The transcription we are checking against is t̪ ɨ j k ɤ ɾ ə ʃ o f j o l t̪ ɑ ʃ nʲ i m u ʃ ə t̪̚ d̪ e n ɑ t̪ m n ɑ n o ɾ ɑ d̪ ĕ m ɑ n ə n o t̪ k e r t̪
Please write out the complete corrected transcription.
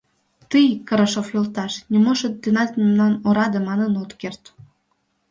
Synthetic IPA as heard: t̪ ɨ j k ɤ ɾ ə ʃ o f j o l t̪ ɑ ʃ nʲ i m o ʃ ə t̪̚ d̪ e n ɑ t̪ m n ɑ n o ɾ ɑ d̪ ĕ m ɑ n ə n o t̪ k e r t̪